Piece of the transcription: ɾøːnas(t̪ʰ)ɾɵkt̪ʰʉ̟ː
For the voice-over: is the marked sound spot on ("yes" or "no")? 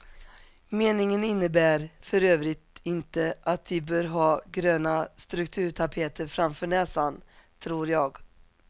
no